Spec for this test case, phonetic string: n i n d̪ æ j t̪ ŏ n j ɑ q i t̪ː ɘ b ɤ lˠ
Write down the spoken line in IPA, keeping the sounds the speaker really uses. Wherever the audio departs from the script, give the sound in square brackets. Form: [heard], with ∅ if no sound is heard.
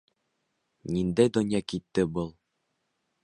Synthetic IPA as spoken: n i n d̪ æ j [d̪] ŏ n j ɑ [k] i t̪ː ɘ b ɤ lˠ